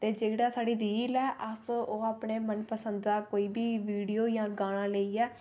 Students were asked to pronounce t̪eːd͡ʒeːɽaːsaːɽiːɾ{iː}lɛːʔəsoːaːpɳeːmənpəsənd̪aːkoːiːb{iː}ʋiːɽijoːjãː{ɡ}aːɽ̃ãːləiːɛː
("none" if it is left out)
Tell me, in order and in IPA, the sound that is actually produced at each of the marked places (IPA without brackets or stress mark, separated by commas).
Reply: iː, iː, ɡ